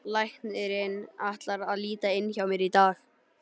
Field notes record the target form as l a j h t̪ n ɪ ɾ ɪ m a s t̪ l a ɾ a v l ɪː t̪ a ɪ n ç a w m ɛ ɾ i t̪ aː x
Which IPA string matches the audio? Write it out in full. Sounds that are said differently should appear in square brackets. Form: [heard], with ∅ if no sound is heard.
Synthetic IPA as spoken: l a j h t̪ n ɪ ɾ ɪ [n] a [h] t̪ l a ɾ a [ð] l [iː] t̪ a ɪ n ç a w m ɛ ɾ i t̪ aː x